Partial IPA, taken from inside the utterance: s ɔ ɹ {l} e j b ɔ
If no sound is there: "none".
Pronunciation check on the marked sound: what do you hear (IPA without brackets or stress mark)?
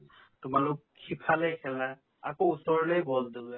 l